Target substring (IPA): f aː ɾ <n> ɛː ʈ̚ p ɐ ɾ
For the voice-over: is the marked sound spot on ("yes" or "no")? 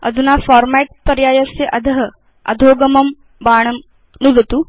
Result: no